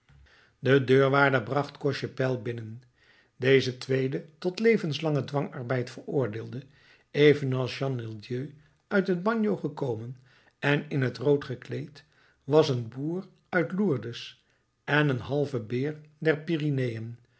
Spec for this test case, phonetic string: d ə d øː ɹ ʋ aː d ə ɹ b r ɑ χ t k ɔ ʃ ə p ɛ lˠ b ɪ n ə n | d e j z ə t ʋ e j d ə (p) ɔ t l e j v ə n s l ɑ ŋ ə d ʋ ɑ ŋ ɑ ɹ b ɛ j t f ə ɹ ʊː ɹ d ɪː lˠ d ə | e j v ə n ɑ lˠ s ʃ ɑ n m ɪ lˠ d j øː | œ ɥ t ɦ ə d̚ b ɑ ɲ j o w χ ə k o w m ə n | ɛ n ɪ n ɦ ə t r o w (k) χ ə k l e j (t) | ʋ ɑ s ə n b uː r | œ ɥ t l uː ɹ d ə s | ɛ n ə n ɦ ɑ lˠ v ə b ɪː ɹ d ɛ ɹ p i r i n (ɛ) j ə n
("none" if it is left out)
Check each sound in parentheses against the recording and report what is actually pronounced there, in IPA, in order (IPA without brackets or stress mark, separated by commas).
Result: t, t, t, e